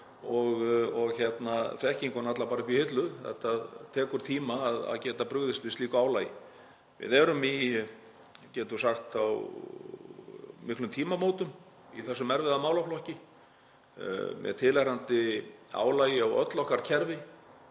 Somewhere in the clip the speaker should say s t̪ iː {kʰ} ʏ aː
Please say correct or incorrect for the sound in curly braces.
incorrect